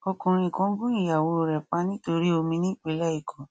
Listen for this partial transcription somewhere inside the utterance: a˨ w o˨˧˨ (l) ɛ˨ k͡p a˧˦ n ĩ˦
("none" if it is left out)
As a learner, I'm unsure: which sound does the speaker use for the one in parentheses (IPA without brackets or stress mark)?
ɾ